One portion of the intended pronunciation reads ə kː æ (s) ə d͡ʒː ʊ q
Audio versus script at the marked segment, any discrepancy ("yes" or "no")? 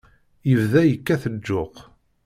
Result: yes